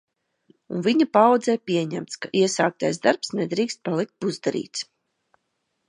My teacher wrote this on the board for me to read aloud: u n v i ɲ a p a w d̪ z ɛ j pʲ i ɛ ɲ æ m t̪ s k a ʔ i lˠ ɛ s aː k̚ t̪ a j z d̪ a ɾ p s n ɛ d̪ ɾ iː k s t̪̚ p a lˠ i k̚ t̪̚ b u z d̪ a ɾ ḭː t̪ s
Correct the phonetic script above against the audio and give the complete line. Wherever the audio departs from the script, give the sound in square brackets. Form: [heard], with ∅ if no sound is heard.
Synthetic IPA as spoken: u n v i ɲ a p a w d̪ z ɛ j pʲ i ɛ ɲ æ m t̪ s k a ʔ i [∅] ɛ s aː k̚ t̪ a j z d̪ a ɾ p s n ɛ d̪ ɾ iː k s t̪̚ p a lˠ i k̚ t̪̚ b u z d̪ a ɾ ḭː t̪ s